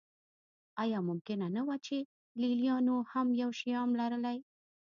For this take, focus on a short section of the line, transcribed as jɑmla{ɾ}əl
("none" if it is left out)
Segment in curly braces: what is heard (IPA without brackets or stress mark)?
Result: ɾ